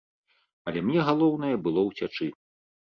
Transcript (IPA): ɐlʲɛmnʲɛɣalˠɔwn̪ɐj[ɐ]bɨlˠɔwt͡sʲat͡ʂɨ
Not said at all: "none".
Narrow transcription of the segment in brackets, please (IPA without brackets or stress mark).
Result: ɐ